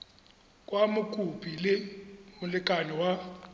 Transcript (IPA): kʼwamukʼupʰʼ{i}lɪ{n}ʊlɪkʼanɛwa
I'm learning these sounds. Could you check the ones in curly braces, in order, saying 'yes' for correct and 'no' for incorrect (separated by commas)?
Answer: yes, no